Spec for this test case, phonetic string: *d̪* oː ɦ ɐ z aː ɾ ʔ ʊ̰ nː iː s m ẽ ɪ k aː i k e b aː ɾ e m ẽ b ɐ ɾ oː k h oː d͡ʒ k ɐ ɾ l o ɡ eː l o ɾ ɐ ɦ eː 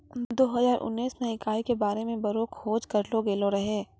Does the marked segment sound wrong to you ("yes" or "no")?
no